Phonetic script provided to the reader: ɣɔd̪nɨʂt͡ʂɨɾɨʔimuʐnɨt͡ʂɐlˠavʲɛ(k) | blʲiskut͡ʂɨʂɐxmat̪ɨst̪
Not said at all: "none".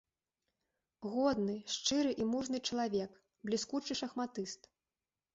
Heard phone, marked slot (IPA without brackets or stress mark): k